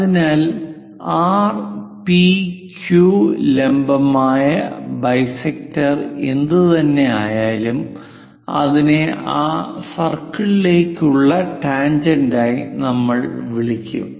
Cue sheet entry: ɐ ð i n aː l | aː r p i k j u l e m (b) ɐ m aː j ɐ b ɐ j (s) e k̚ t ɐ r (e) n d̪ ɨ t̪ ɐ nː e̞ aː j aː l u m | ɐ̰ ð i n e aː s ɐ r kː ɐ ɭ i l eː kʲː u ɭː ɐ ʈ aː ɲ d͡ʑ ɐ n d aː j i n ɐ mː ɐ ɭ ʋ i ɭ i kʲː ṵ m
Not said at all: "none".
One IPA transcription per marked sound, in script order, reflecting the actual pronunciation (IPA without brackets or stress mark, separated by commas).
b, s, e